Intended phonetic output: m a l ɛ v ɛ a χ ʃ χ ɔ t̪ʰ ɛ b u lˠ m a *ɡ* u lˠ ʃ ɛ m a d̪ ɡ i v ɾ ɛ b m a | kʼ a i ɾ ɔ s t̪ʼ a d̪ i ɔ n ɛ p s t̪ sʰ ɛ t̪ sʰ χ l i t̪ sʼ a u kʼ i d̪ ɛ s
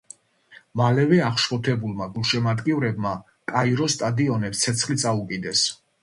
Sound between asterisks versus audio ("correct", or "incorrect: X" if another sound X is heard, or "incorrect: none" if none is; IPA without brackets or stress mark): correct